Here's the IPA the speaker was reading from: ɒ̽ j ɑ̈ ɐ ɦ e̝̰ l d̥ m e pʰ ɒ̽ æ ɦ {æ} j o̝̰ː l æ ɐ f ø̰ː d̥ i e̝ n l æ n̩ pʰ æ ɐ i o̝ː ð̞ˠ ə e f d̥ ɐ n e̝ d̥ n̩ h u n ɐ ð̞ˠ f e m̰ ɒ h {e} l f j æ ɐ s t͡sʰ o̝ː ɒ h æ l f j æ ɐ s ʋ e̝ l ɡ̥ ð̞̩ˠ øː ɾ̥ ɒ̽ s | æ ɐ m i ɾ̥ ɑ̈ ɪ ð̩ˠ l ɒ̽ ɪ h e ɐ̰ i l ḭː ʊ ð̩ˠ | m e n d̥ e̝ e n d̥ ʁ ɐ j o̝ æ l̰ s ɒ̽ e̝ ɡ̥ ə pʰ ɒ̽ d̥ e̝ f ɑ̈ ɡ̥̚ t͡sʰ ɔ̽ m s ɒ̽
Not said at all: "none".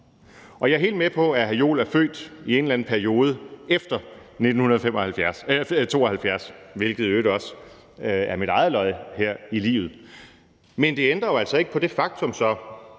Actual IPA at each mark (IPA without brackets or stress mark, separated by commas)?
æ, æ